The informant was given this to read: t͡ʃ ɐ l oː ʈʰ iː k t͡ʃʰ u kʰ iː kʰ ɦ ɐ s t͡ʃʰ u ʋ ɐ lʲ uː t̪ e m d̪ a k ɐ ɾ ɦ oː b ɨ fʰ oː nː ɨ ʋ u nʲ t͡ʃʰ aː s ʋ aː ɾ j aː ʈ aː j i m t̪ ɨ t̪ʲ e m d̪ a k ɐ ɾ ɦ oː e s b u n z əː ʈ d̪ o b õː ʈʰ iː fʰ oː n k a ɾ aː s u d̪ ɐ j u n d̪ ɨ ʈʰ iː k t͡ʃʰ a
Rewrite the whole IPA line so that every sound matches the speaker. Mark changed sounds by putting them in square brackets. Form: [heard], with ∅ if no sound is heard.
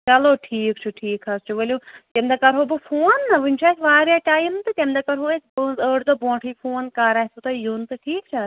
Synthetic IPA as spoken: t͡ʃ ɐ l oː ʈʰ iː k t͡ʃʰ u [ʈʰ] iː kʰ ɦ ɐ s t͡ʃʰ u ʋ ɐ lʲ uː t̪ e m d̪ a k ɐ ɾ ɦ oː b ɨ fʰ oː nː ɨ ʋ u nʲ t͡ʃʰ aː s ʋ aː ɾ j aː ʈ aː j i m t̪ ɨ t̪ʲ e m d̪ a k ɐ ɾ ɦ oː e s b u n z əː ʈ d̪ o b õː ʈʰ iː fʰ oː n k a ɾ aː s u [t̪] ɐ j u n [t̪] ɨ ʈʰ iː k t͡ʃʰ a